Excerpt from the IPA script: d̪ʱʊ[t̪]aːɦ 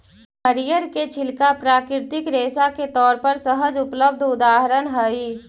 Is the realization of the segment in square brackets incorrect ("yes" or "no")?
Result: yes